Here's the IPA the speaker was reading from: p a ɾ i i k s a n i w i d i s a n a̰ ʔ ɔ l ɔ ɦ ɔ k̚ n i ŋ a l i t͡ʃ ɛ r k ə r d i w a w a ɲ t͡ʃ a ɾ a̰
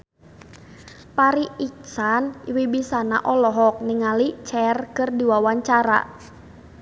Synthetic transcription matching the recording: p a ɾ i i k s a n i w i b i s a n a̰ ʔ ɔ l ɔ ɦ ɔ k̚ n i ŋ a l i t͡ʃ ɛ r k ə r d i w a w a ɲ t͡ʃ a ɾ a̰